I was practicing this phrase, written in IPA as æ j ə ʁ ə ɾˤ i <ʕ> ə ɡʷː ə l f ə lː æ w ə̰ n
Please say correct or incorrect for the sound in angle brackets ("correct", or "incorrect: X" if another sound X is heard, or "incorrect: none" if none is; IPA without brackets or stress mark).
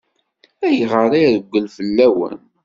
incorrect: ð